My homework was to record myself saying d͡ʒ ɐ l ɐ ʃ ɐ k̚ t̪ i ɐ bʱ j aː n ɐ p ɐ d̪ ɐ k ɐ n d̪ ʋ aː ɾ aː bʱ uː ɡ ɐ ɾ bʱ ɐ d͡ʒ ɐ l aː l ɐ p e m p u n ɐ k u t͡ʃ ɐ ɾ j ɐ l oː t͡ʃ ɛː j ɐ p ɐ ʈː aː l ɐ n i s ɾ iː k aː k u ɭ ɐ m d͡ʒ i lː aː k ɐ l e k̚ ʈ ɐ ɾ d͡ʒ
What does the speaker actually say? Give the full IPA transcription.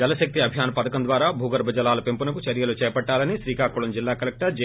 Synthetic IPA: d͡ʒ ɐ l ɐ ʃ ɐ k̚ t̪ i ɐ bʱ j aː n ɐ p ɐ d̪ ɐ k ɐ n d̪ ʋ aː ɾ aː bʱ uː ɡ ɐ ɾ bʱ ɐ d͡ʒ ɐ l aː l ɐ p e m p u n ɐ k u t͡ʃ ɐ ɾ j ɐ l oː t͡ʃ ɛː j ɐ p ɐ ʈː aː l ɐ n i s ɾ iː k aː k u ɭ ɐ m d͡ʒ i lː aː k ɐ l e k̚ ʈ ɐ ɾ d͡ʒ